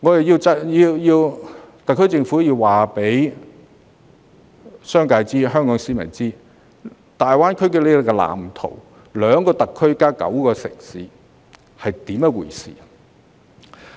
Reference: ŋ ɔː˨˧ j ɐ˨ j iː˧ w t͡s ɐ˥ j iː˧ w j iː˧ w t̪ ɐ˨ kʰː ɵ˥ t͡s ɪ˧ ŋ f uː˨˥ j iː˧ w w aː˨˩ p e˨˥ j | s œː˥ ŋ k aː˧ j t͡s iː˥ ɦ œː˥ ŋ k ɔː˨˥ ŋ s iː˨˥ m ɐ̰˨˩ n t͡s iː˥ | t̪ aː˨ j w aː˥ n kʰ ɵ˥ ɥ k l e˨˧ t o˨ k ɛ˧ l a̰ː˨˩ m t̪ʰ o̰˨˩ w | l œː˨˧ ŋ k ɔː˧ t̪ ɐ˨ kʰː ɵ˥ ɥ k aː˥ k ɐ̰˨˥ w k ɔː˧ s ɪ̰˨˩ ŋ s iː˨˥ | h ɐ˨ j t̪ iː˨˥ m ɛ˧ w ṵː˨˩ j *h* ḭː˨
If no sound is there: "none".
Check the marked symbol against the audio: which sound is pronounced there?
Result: s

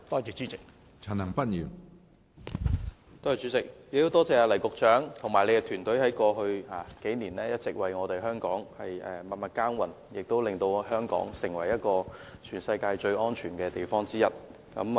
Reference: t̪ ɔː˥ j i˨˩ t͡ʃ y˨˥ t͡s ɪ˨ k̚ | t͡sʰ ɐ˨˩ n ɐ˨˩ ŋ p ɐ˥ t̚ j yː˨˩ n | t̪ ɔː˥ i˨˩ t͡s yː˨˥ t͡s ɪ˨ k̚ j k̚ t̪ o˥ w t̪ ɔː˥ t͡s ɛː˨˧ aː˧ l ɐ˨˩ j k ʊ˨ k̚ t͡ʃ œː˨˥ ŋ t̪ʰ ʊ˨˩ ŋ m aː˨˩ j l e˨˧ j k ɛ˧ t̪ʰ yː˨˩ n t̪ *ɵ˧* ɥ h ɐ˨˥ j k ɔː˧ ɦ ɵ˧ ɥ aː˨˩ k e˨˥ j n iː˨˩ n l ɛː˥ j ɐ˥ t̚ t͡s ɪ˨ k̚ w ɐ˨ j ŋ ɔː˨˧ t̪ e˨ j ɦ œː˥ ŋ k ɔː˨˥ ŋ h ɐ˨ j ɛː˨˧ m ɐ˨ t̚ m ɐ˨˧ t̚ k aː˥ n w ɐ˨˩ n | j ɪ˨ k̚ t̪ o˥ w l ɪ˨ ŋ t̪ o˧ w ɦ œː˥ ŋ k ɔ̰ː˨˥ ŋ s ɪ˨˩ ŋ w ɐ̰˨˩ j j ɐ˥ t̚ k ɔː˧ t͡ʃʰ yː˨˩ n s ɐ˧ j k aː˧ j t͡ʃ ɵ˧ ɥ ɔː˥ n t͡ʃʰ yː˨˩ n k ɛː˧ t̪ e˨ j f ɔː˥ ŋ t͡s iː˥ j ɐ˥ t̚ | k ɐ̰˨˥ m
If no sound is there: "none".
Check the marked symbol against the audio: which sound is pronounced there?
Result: ɵ˨˥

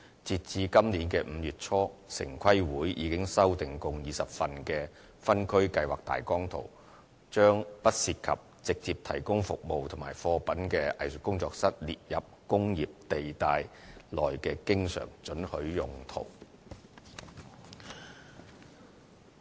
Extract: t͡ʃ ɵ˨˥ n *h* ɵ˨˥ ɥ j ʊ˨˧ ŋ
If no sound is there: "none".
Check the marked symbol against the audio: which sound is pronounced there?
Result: h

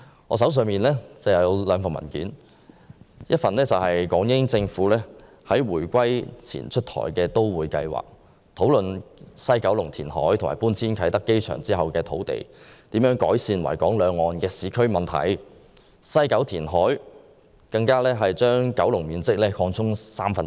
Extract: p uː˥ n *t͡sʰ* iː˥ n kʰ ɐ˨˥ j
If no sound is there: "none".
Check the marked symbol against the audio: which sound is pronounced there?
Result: t͡sʰ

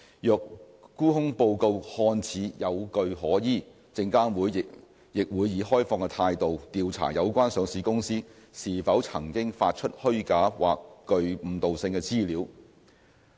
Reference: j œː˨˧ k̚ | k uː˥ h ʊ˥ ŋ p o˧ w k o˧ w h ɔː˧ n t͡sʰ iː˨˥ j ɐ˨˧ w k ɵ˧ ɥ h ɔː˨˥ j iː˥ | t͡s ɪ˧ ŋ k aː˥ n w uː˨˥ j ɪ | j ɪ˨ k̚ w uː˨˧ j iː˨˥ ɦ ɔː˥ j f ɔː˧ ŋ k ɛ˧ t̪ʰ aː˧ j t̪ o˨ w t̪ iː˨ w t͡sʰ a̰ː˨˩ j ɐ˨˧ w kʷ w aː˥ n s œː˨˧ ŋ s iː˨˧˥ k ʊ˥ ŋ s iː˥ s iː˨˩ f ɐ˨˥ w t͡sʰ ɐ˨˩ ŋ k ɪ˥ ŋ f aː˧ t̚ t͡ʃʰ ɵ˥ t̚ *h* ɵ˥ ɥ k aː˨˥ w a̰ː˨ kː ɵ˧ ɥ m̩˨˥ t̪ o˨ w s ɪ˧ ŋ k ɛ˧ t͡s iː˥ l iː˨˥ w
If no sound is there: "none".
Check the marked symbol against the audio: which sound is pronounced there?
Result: h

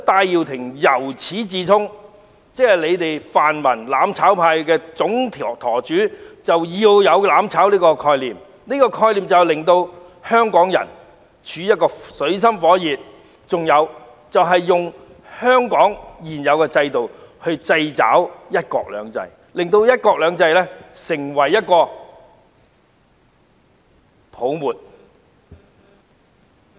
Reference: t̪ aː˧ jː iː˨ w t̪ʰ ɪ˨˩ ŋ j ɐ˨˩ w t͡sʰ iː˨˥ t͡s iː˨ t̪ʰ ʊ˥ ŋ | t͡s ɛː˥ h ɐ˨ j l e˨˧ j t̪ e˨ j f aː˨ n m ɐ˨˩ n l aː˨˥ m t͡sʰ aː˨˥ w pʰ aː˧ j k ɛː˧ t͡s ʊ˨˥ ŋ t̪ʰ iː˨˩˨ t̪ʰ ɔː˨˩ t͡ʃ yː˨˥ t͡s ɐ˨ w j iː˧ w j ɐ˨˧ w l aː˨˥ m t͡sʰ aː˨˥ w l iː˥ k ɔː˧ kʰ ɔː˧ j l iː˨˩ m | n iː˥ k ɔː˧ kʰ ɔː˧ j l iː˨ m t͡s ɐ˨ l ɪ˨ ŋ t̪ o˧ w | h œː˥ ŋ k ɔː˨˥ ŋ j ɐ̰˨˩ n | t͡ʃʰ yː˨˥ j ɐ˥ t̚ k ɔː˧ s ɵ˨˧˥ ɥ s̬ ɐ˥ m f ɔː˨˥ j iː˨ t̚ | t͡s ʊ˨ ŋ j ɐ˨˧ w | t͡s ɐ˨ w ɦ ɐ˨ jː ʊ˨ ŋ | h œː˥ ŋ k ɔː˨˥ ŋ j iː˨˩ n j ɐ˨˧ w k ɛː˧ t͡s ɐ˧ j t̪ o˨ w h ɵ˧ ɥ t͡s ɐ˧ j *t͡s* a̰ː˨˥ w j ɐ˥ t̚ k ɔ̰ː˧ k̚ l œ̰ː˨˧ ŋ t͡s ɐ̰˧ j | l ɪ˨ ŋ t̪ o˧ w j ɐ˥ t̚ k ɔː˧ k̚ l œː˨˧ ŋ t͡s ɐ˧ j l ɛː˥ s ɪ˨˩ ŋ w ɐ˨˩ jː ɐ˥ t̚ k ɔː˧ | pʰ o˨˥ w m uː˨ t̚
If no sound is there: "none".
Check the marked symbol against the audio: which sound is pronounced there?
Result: t͡s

